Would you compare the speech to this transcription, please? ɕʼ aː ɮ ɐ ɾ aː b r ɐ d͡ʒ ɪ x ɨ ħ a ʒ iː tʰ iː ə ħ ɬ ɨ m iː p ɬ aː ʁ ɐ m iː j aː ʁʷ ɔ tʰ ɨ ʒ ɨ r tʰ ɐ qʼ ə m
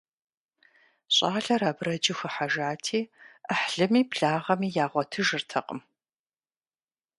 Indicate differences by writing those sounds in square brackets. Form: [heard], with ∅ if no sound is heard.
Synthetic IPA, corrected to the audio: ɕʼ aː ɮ ɐ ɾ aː b r ɐ d͡ʒ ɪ x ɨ ħ a ʒ [aː] tʰ iː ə ħ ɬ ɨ m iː p ɬ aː ʁ ɐ m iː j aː ʁʷ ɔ tʰ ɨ ʒ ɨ r tʰ ɐ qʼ ə m